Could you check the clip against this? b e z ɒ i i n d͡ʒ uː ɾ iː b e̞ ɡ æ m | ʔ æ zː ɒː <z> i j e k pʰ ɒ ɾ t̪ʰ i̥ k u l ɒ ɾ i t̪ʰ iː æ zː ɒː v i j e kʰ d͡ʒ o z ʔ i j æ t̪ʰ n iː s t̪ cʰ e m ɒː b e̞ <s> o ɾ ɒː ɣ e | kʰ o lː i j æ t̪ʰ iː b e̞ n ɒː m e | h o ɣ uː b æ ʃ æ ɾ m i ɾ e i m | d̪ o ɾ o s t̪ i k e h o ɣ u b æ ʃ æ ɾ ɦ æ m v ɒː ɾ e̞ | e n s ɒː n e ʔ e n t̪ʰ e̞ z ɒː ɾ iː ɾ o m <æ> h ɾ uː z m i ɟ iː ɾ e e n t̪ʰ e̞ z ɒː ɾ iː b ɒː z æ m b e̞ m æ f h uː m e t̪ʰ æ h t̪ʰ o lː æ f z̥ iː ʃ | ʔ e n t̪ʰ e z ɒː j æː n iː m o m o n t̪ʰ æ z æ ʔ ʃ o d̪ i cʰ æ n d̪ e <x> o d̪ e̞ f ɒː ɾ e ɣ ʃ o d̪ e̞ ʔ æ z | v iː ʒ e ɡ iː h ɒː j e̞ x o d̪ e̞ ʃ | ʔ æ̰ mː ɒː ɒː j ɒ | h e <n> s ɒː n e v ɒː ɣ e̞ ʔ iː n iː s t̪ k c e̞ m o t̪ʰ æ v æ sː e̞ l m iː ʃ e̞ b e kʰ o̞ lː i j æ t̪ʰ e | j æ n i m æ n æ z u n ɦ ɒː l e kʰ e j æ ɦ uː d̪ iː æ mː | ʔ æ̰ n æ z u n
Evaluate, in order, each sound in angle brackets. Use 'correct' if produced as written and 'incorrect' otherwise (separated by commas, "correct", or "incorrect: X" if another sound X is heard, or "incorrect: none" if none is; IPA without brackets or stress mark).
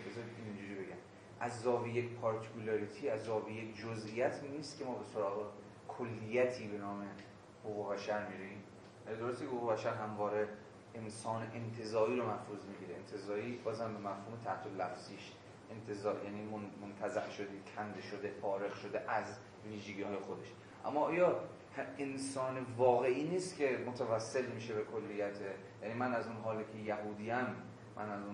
incorrect: v, correct, correct, incorrect: ʃ, correct